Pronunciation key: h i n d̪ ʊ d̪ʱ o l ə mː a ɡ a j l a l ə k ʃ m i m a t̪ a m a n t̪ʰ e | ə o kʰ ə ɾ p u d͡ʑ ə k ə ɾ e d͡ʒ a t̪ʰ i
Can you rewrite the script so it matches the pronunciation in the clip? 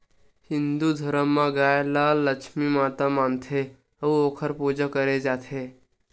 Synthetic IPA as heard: h i n d̪ u d̪ʱ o ɾ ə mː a ɡ a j l a l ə k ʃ m i m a t̪ a m a n t̪ʰ e | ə o kʰ ə ɾ p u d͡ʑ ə k ə ɾ e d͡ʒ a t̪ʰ e